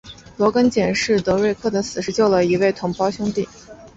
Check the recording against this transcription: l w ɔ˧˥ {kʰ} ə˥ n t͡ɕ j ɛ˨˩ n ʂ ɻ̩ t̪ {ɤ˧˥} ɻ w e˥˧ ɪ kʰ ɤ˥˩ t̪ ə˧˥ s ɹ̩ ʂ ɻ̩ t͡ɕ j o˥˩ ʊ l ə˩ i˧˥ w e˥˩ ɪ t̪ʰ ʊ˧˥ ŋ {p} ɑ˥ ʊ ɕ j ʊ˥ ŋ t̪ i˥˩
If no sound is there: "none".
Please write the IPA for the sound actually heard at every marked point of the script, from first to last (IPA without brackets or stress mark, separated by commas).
k, ɤ˧˥, p